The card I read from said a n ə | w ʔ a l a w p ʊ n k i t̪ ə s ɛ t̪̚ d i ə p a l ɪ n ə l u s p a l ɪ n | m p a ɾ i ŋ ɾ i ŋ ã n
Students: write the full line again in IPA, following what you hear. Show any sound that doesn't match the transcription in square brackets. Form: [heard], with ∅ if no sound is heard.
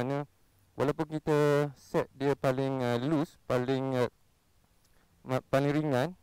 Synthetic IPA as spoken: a n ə | w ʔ a l a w p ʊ n k i t̪ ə s ɛ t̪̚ d i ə p a l ɪ [ŋ] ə l u s p a l ɪ [ŋ] | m p a [l] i ŋ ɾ i ŋ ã n